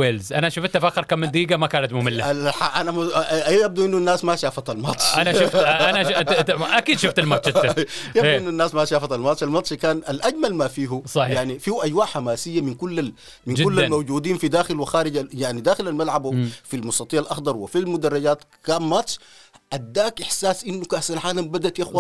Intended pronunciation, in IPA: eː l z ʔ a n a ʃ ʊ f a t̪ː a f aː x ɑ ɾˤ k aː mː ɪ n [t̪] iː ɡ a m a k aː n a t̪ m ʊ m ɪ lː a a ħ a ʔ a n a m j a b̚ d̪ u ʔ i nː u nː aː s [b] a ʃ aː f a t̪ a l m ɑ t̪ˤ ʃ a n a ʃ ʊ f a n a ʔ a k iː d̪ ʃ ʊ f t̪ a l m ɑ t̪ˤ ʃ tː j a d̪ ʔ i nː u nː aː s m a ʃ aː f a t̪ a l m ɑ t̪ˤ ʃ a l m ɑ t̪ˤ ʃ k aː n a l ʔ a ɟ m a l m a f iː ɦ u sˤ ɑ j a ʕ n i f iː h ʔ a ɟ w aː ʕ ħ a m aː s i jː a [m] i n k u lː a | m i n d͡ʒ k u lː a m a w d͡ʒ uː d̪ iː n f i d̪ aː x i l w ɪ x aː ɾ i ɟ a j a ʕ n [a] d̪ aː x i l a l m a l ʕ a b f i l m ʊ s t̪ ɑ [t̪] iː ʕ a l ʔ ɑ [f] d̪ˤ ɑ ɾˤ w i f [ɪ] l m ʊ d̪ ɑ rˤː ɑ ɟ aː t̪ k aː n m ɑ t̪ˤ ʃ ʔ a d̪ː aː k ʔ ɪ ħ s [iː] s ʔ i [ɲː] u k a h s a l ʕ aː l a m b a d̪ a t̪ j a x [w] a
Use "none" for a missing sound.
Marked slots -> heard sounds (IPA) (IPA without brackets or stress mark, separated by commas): d̪, m, m, i, t̪, x, i, aː, nː, w